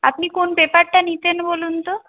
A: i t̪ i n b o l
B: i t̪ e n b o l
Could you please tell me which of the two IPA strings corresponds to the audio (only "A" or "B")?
B